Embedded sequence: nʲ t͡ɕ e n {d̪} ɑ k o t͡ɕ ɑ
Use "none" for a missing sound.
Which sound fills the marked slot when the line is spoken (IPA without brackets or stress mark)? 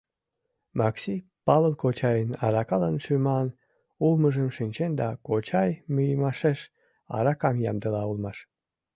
d̪